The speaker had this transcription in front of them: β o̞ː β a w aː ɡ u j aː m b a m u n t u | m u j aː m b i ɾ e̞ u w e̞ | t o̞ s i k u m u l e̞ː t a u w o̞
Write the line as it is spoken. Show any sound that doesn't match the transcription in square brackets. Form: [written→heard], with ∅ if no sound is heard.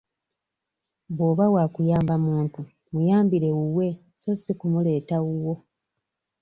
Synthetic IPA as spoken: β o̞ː β a w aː [ɡ→k] u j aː m b a m [u→uː] n t u | m u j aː m b i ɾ e̞ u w e̞ | [t→s] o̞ s i k u m u l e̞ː t a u w o̞